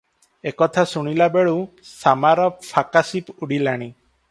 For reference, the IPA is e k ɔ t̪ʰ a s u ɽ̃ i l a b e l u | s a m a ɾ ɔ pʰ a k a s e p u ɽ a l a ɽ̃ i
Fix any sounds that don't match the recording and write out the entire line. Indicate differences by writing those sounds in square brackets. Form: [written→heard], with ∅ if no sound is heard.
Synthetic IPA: e k ɔ t̪ʰ a s u ɽ̃ i l a b e [l→ɭ] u | s a m a ɾ ɔ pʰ a k a s [e→i] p u ɽ [a→i] l a ɽ̃ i